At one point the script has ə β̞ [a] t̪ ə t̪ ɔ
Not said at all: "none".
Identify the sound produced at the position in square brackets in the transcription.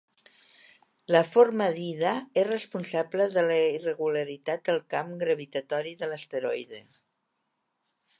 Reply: i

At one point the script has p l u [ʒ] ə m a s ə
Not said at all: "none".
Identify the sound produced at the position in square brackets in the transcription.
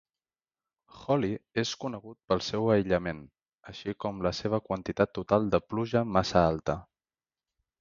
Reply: ʒ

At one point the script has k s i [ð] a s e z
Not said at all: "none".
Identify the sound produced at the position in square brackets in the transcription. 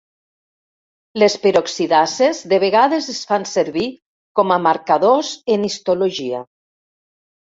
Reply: ð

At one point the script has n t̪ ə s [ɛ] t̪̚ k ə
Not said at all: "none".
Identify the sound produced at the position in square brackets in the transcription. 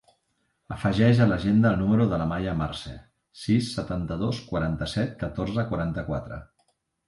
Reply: ɛ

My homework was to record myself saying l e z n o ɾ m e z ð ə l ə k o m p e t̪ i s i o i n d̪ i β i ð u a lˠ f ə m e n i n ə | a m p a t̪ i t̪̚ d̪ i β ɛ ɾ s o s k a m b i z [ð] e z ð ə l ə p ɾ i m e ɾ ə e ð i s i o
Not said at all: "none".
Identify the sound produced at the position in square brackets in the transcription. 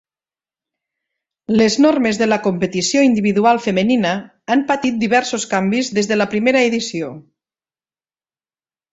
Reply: ð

